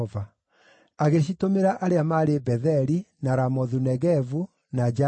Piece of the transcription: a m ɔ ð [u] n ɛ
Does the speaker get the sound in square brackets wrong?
no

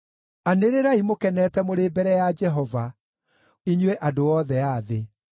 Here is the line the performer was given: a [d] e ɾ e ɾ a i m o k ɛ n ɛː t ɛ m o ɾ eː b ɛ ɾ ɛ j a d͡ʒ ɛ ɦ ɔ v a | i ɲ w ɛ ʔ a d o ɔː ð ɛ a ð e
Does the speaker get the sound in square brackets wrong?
yes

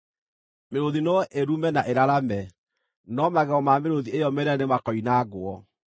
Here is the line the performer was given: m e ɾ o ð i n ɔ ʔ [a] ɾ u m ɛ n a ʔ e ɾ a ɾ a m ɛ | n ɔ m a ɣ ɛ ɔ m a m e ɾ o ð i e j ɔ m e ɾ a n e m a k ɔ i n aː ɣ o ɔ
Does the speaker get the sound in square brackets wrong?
yes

